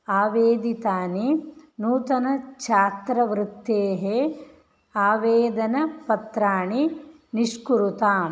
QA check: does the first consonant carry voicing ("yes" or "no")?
yes